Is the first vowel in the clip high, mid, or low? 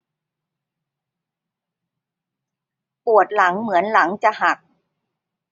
high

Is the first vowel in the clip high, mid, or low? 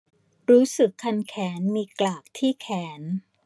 high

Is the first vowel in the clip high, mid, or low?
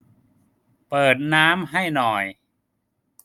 mid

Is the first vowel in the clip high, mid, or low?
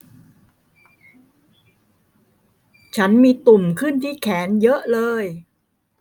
low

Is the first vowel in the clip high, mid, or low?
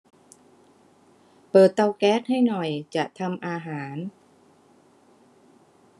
mid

